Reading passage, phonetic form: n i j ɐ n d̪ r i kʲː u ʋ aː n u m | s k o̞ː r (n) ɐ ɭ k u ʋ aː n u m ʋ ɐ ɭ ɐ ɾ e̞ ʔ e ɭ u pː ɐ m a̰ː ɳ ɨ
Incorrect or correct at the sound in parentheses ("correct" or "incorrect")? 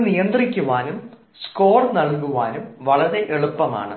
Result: correct